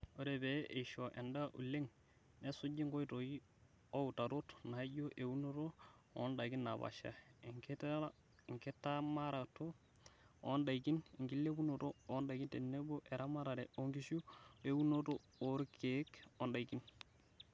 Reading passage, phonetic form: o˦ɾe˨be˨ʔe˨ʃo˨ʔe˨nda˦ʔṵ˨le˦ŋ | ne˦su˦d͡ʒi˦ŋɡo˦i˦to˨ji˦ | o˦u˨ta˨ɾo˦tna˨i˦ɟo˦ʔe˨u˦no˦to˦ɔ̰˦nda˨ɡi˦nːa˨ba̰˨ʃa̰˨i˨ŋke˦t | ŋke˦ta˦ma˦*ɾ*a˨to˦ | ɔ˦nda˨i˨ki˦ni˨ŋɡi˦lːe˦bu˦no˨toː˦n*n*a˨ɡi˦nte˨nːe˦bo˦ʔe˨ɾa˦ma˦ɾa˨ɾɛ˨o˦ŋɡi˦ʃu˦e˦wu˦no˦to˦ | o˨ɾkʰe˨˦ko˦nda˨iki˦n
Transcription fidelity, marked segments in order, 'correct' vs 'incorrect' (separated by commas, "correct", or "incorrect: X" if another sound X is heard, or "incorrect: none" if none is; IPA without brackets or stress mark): correct, incorrect: d